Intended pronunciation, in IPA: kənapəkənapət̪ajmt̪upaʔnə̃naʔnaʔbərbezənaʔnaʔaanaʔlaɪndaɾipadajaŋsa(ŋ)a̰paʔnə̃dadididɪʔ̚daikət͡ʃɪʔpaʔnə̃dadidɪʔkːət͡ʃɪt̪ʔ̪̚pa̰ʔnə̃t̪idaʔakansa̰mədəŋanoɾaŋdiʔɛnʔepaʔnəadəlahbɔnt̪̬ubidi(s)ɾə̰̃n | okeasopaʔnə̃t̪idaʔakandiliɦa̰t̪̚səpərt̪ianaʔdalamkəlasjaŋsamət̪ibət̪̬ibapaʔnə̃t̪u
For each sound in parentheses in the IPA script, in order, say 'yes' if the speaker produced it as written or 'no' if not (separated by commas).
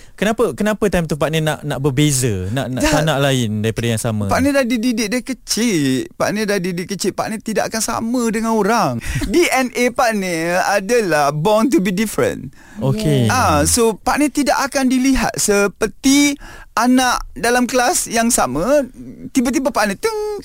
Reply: no, no